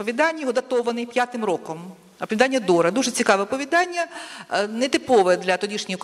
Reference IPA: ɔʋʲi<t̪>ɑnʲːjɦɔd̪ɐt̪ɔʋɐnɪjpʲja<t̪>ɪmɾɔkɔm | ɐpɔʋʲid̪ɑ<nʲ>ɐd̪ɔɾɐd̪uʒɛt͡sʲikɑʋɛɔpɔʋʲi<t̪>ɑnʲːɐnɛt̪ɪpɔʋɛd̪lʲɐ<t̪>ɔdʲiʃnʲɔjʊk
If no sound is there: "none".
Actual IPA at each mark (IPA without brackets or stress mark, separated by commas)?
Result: d̪, t̪, nʲː, d̪, t̪